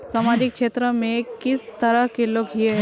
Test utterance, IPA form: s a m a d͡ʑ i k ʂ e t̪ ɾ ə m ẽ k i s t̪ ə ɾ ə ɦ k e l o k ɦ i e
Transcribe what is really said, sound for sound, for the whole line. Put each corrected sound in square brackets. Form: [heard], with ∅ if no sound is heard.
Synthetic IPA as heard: s a m a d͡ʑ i k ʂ e t̪ ɾ ə m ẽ k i s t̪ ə ɾ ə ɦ k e l o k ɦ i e